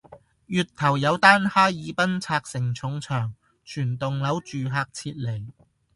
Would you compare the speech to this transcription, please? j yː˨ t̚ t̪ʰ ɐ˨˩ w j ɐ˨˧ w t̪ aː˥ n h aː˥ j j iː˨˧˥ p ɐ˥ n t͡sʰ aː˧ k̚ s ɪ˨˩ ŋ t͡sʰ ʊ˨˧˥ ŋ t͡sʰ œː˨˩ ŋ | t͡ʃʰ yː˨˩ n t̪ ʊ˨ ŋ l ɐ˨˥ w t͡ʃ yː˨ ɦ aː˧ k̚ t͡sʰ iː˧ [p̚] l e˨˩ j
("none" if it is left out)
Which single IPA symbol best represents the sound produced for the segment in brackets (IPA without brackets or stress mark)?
t̚